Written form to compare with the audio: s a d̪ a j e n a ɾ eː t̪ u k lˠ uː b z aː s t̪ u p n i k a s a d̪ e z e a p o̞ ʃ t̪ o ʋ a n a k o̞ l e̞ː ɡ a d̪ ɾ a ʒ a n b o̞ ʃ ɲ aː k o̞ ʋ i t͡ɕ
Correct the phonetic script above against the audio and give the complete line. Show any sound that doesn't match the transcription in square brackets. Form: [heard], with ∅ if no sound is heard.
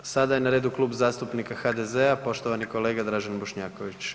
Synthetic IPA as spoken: s a d̪ a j e n a ɾ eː [d̪] u k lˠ uː b z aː s t̪ u p n i k a [x] a d̪ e z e a p o̞ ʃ t̪ o ʋ a n [i] k o̞ l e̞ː ɡ a d̪ ɾ a ʒ a n b o̞ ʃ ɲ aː k o̞ ʋ i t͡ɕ